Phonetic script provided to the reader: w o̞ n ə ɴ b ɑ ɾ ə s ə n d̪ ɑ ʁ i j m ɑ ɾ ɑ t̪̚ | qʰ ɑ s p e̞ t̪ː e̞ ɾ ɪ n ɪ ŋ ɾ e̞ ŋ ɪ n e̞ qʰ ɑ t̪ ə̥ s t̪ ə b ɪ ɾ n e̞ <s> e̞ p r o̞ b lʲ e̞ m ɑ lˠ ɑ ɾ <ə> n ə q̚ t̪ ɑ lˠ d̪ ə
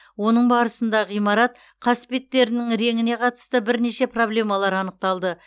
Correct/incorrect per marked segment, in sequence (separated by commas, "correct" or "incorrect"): incorrect, incorrect